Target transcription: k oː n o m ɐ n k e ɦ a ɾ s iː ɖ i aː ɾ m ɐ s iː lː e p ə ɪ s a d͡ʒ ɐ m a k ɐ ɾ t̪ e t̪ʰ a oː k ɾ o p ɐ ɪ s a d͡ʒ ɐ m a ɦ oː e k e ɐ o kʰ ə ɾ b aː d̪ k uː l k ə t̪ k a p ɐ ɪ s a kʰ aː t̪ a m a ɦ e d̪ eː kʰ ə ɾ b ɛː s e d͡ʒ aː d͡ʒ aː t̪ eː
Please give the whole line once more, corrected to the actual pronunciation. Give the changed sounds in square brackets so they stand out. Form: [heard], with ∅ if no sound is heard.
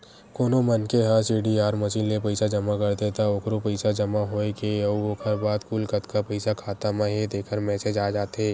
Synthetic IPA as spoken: k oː n o m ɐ n k e ɦ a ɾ s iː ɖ i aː ɾ m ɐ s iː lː e p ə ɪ s a d͡ʒ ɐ m a k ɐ ɾ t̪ e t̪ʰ a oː k ɾ o p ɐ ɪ s a d͡ʒ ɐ m a ɦ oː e k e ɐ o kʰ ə ɾ b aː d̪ k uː l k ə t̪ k a p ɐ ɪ s a kʰ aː t̪ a m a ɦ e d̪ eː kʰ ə ɾ [m] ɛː s e d͡ʒ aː d͡ʒ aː t̪ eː